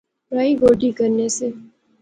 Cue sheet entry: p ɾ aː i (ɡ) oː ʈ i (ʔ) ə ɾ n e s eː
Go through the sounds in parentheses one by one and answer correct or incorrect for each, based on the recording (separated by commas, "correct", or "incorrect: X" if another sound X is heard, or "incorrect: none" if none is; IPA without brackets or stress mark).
correct, incorrect: k